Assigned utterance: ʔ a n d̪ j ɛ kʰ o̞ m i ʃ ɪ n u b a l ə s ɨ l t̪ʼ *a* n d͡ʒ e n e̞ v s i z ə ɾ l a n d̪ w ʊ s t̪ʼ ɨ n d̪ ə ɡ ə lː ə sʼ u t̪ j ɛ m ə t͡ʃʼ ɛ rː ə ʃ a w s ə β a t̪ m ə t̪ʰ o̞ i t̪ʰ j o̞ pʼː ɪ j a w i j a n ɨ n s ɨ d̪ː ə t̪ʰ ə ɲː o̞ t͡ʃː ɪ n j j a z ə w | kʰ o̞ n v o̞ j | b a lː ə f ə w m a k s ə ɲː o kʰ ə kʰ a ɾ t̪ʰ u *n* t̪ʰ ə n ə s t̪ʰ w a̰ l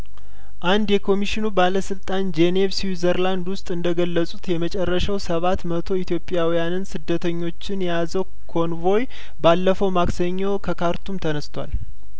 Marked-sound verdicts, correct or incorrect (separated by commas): correct, incorrect